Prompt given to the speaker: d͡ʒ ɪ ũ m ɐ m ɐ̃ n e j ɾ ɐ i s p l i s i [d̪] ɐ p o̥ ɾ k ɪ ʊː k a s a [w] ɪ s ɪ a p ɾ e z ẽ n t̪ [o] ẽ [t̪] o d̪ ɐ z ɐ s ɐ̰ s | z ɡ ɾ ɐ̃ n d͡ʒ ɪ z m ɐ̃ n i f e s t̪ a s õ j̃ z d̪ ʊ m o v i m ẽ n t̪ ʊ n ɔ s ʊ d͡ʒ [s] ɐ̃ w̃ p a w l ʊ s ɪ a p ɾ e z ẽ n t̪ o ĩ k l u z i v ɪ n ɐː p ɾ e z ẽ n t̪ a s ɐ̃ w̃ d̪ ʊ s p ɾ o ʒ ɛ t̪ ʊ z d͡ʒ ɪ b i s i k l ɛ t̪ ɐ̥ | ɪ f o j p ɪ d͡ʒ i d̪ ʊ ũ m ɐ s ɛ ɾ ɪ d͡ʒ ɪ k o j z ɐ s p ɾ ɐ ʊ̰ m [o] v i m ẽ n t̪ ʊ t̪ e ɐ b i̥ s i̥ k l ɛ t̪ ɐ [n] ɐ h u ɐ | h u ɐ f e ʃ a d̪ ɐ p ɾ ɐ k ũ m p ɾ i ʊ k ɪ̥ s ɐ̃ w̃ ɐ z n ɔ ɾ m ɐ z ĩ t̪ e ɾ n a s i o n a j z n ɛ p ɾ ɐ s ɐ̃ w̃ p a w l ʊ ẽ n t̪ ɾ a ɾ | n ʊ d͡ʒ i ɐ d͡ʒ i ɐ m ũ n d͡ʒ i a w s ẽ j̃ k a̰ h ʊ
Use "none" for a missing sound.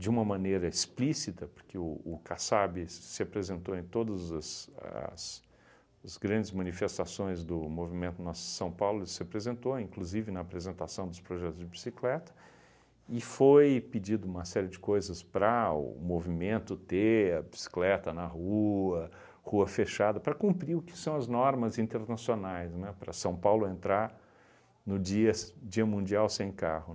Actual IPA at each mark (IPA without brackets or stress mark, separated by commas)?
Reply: t̪, b, o, t̪, s, o, n